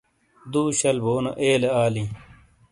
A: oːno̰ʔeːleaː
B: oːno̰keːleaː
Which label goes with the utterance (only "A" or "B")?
A